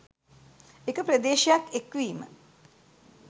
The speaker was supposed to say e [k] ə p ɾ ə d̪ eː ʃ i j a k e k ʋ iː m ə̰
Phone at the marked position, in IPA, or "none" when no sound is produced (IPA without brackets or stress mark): k